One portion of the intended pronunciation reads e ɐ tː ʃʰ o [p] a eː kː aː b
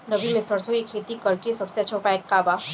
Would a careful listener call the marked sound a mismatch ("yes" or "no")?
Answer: no